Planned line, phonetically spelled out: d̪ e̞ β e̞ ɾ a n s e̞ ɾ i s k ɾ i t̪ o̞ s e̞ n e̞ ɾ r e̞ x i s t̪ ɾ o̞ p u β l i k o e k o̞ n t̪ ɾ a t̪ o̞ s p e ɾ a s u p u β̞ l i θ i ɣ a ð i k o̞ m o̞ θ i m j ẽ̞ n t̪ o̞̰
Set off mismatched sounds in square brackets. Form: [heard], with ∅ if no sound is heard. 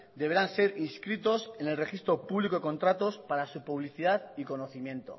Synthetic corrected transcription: d̪ e̞ β e̞ ɾ a n s e̞ ɾ i s k ɾ i t̪ o̞ s e̞ n e̞ [l] r e̞ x i s t̪ ɾ o̞ p u β l i k o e k o̞ n t̪ ɾ a t̪ o̞ s p [a] ɾ a s u p u β̞ l i θ i [ð] a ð i k o̞ [n] o̞ θ i m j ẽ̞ n t̪ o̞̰